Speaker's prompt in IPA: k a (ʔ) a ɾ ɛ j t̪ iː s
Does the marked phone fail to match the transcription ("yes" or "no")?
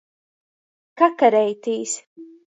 yes